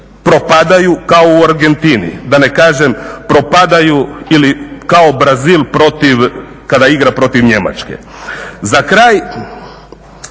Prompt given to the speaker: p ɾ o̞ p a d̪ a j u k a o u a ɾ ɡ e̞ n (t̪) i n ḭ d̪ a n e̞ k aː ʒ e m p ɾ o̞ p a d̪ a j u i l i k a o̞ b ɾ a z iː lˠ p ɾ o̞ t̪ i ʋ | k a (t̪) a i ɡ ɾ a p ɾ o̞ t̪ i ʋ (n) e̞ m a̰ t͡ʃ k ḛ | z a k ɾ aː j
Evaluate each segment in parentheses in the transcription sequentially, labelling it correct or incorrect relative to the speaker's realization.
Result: correct, incorrect, incorrect

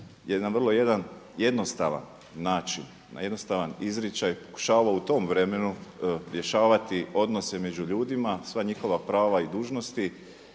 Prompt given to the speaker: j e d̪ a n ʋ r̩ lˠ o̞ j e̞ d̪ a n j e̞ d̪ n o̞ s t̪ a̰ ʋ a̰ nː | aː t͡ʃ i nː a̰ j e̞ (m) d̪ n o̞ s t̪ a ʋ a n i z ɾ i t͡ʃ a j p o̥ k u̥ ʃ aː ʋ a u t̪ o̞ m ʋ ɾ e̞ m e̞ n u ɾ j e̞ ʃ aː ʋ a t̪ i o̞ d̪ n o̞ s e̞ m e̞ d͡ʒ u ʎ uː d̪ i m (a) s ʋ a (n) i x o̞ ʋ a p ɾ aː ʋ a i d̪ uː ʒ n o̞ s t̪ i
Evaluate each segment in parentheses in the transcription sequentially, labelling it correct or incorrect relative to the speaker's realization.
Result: incorrect, correct, incorrect

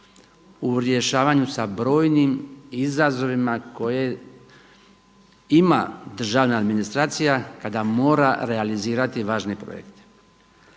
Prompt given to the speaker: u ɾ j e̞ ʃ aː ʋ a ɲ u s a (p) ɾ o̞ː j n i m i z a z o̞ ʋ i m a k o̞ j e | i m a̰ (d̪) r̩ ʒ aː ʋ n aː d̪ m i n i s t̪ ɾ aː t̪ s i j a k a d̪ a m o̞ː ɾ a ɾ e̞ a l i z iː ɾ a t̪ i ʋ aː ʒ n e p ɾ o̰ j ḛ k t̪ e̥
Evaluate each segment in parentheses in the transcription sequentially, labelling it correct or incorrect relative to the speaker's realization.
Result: incorrect, correct

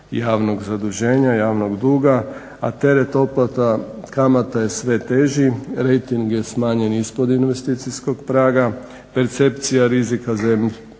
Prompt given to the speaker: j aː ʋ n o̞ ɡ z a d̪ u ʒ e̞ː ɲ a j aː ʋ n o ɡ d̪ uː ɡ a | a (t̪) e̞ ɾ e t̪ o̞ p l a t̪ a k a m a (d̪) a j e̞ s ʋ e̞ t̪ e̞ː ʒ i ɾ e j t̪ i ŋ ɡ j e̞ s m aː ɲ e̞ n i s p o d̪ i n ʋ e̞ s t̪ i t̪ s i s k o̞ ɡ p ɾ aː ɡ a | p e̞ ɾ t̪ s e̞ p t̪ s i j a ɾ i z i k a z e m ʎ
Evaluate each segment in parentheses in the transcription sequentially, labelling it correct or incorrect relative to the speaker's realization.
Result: correct, incorrect

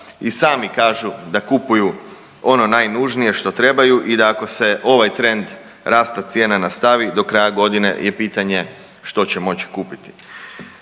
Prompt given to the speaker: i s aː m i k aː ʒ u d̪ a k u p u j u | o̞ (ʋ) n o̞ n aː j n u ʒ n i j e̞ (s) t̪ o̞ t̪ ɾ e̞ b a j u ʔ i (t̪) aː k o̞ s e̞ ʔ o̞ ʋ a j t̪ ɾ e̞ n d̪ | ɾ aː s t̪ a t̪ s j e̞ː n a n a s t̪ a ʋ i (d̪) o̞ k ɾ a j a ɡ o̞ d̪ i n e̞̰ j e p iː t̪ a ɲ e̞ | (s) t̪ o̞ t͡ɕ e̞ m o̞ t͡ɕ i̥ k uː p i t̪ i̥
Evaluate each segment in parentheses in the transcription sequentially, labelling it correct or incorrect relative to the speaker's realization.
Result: incorrect, incorrect, incorrect, correct, incorrect

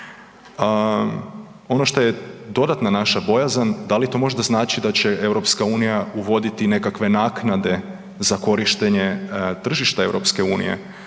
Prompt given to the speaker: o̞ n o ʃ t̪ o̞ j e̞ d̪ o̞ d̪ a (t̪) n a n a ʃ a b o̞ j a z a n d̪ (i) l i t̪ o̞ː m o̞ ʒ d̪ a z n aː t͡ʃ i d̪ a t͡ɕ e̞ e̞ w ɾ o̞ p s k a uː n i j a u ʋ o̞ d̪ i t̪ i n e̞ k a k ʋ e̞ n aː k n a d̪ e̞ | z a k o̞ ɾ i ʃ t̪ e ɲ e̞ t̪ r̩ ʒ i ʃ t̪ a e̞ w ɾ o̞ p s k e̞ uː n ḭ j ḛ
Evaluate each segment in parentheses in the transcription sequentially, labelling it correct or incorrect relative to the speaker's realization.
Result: correct, incorrect

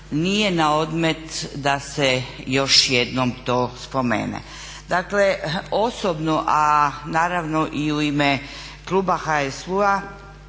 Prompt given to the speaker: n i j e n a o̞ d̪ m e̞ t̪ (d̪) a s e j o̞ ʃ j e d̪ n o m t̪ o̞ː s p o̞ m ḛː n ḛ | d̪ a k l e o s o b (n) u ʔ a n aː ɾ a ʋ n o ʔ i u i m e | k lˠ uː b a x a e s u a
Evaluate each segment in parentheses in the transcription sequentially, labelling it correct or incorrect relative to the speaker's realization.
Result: correct, correct

